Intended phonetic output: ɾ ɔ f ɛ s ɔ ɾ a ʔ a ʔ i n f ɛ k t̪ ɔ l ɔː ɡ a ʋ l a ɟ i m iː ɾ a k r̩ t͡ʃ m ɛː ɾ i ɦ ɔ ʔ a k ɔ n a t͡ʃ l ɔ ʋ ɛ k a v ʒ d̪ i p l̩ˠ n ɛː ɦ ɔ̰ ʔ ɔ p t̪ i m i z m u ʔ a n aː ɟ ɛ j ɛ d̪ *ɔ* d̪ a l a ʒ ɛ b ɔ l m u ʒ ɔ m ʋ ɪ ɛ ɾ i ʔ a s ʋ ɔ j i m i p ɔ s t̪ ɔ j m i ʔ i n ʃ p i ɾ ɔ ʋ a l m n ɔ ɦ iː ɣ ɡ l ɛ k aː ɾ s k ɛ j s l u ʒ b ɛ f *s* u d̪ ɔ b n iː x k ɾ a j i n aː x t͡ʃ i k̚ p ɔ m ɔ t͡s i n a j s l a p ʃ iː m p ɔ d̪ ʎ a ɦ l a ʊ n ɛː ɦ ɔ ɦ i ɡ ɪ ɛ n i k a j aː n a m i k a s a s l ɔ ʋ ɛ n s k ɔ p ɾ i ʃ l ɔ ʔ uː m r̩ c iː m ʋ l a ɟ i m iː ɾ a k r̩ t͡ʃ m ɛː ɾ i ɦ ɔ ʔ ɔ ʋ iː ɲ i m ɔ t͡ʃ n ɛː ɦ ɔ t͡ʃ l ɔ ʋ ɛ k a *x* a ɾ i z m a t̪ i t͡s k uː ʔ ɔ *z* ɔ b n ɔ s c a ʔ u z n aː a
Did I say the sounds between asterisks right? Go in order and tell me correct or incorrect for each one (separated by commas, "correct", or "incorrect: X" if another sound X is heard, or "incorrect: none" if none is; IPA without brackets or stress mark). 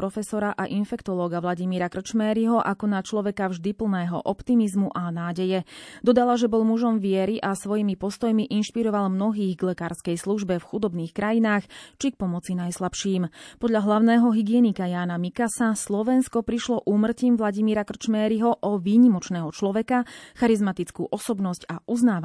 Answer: correct, incorrect: x, correct, incorrect: s